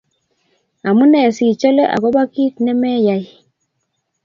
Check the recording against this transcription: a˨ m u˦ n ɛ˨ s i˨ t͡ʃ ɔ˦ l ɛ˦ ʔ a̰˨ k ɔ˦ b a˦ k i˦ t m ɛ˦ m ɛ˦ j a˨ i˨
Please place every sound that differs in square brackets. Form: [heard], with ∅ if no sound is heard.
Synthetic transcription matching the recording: a˨ m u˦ n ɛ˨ s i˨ t͡ʃ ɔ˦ l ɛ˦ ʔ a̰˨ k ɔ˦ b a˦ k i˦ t [n] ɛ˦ m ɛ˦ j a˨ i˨